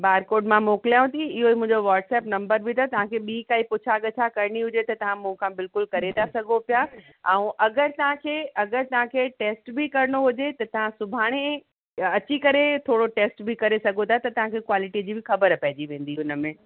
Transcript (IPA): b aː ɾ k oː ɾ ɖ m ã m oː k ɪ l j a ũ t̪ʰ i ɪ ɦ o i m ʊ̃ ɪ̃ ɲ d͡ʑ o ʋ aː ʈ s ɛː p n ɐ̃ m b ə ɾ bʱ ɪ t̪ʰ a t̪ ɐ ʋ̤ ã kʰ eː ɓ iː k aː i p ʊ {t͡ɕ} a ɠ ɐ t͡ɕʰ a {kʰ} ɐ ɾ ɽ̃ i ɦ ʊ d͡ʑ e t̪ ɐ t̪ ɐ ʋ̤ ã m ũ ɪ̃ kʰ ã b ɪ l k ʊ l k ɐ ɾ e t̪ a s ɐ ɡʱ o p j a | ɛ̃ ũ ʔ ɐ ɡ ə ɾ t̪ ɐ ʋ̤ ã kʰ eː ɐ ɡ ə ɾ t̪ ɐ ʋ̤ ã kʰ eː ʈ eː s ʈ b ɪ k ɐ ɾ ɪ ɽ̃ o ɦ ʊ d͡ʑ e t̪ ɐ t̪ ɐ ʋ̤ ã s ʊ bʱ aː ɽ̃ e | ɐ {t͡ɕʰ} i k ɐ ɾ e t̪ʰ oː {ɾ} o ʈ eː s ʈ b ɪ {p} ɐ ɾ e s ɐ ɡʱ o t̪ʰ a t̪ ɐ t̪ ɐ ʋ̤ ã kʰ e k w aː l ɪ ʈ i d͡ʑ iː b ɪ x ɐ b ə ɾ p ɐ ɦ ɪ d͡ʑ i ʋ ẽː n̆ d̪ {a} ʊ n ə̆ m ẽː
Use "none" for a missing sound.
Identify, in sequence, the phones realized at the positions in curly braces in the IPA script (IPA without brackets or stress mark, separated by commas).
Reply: t͡ɕʰ, k, t͡ɕ, ɽ, k, i